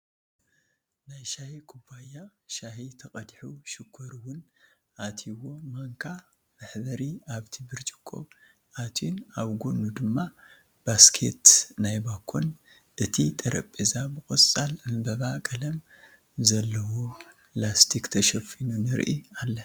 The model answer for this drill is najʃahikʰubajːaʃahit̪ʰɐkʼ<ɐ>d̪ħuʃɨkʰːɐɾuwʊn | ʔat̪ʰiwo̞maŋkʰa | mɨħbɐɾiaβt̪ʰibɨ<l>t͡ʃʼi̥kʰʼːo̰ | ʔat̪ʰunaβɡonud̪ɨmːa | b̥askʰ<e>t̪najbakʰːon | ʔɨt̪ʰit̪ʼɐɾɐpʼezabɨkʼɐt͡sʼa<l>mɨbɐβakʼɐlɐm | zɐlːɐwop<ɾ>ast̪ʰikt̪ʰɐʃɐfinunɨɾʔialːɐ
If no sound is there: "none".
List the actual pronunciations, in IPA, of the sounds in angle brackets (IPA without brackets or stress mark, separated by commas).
ɐ, ɾ, e, l, l